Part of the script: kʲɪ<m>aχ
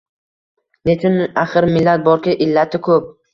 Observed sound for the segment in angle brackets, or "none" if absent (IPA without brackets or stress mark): n